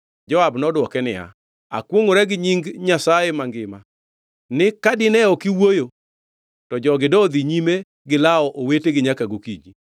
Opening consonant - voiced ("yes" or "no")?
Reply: yes